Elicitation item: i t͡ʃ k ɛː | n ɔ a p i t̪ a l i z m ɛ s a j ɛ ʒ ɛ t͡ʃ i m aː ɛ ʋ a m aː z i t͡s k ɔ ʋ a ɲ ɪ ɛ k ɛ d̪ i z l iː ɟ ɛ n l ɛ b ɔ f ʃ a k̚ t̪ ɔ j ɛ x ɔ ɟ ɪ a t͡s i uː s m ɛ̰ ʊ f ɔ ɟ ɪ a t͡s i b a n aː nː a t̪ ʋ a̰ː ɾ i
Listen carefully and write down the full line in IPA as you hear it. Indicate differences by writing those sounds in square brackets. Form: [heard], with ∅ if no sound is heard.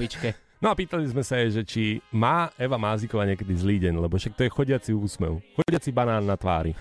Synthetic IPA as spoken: i t͡ʃ k [ɛ] | n ɔ a p [iː] t̪ a l i z m ɛ s a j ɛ ʒ ɛ t͡ʃ i m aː ɛ ʋ a m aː z i [∅] k ɔ ʋ a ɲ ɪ ɛ k ɛ d̪ i z l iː ɟ ɛ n l ɛ b ɔ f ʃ a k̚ t̪ ɔ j ɛ x ɔ ɟ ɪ a t͡s i uː s m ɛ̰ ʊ [x] ɔ ɟ ɪ a t͡s i b a n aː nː a t̪ ʋ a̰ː ɾ i